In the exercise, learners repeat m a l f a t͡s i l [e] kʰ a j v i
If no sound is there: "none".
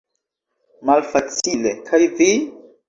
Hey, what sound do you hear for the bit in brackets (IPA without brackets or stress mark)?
e